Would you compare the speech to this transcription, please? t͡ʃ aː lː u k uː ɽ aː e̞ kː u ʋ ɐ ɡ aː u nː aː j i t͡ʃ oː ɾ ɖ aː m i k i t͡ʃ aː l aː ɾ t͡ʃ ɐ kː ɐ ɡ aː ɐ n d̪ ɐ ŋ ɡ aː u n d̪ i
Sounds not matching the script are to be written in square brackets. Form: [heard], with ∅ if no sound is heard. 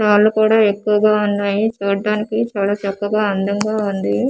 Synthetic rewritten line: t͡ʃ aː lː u k uː ɽ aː e̞ kː u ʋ ɐ ɡ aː u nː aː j i t͡ʃ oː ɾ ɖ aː [n] i k i t͡ʃ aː l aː [∅] t͡ʃ ɐ kː ɐ ɡ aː ɐ n d̪ ɐ ŋ ɡ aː u n d̪ i